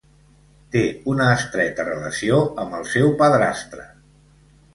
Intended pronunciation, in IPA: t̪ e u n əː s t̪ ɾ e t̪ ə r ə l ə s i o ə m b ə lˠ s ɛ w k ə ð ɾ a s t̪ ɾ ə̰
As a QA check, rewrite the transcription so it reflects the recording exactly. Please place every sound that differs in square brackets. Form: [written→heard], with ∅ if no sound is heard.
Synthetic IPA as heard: t̪ e u n əː s t̪ ɾ [e→ɛ] t̪ ə r ə l ə s i o ə m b ə lˠ s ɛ w [k→p] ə ð ɾ a s t̪ ɾ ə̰

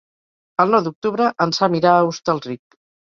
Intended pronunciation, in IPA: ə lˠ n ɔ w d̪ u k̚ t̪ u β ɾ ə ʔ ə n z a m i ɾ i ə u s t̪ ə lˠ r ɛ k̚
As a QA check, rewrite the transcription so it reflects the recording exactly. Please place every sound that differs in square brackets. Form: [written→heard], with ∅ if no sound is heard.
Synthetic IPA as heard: ə lˠ n ɔ w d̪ u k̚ t̪ u β ɾ ə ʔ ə n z a m i ɾ [i→a] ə u s t̪ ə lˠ r [ɛ→i] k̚

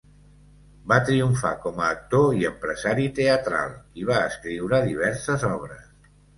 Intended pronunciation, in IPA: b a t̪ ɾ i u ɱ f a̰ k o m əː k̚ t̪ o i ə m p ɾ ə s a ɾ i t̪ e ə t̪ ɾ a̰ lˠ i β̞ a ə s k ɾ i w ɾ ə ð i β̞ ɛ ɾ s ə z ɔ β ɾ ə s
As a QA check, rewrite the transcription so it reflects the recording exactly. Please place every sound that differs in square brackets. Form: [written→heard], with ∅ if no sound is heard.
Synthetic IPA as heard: b a t̪ ɾ i u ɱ f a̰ k [o→ɔ] m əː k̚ t̪ o i ə m p ɾ ə [s→z] a ɾ i t̪ e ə t̪ ɾ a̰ lˠ i β̞ a ə s k ɾ i w ɾ ə ð i β̞ ɛ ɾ s ə z ɔ β ɾ ə s

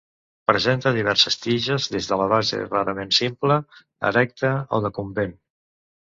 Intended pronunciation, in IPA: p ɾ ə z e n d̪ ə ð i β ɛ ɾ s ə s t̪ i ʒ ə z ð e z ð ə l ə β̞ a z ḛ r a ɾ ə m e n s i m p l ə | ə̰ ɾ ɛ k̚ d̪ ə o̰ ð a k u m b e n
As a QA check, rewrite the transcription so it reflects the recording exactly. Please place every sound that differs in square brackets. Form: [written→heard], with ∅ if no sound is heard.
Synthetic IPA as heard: p ɾ ə z e n [d̪→t̪] ə ð i β ɛ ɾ s ə s t̪ i ʒ ə z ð e z ð ə l ə β̞ a z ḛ r a ɾ ə m e n s i m p l ə | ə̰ ɾ ɛ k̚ [d̪→t̪] ə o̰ ð [a→ə] k u m b e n

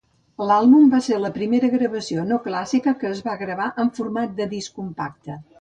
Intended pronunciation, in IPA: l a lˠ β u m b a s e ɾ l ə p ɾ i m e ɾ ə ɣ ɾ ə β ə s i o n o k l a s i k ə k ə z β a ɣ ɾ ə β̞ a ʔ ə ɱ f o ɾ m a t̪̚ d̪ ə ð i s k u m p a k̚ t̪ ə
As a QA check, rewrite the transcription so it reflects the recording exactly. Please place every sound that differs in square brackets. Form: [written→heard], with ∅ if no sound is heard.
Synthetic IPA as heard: l a lˠ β u m b a s e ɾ l ə p ɾ i m e ɾ ə ɣ ɾ ə β ə s i o n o k l a s i k ə k [ə→əː] z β a ɣ ɾ ə β̞ a ʔ ə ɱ f [o→u] ɾ m a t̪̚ d̪ ə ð i s k u m p a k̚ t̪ ə

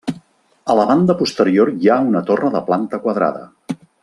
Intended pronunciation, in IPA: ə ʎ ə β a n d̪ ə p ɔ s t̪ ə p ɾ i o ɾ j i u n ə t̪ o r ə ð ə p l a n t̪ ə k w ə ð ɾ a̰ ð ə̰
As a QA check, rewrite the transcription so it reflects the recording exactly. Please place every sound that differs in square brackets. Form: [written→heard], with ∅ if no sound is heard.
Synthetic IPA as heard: ə [ʎ→l] ə β a n d̪ ə p [ɔ→u] s t̪ ə [p→∅] ɾ i o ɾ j [i→a] u n ə t̪ o r ə ð ə p l a n t̪ ə k w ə ð ɾ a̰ ð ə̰

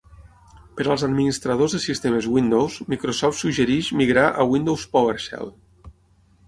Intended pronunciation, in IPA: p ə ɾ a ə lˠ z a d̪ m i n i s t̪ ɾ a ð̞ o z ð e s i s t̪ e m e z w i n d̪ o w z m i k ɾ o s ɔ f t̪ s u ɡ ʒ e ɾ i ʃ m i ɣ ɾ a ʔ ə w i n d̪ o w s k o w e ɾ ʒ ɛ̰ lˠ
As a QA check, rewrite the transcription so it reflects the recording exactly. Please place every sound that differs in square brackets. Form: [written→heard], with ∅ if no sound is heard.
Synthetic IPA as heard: p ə ɾ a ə lˠ z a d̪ m i n i s t̪ ɾ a ð̞ o z ð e s i s t̪ e m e z w i n d̪ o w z m i k ɾ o s ɔ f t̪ s u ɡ ʒ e ɾ i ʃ m i ɣ ɾ a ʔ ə w i n d̪ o w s [k→p] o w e ɾ [ʒ→ʃ] ɛ̰ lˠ

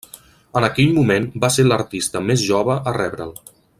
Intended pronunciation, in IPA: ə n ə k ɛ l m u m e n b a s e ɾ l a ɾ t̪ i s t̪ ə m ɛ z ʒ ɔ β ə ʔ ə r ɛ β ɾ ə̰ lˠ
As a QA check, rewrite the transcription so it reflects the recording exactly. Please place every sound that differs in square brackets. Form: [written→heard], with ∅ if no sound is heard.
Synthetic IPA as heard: ə n ə k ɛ [l→ʎ] m u m e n b a s e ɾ l [a→ə] ɾ t̪ i s t̪ ə m [ɛ→e] z ʒ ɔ β ə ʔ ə r ɛ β ɾ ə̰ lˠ

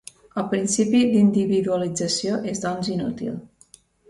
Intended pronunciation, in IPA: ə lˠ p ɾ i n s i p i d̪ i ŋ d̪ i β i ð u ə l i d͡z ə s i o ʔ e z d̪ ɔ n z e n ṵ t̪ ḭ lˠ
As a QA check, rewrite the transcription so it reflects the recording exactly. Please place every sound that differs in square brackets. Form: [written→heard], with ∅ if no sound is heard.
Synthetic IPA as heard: ə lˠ p ɾ i n s i p i d̪ i [ŋ→n] d̪ i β i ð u ə l i d͡z ə s i o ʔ e z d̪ ɔ n z [e→i] n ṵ t̪ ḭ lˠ

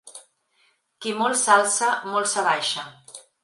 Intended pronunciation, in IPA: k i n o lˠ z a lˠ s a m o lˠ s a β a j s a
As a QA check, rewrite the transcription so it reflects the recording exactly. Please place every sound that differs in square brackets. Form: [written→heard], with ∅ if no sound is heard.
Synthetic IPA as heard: k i [n→m] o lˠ [z→s] a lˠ s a m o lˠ s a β a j [s→ʃ] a

